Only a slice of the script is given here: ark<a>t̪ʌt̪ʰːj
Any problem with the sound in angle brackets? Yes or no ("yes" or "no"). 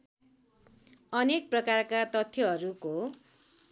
no